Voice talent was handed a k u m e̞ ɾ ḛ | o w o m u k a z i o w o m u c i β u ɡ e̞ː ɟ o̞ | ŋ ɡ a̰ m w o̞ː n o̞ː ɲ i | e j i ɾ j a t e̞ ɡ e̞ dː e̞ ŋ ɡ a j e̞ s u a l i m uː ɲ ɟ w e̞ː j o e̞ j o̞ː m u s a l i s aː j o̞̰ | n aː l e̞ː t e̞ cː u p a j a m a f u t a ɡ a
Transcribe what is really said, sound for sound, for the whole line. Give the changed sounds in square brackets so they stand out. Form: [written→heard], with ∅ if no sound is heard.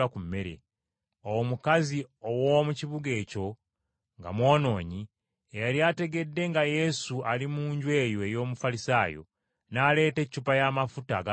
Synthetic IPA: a k u m e̞ ɾ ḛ | o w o m u k a z i o w o m u c i β u ɡ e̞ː [ɟ→c] o̞ | ŋ ɡ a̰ m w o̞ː n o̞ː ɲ i | e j [i→a] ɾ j a t e̞ ɡ e̞ dː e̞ ŋ ɡ a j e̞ s u a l i m uː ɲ ɟ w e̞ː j o e̞ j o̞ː m u [s→f] a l i s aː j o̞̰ | n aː l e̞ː t e̞ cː u p a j a m a f u t a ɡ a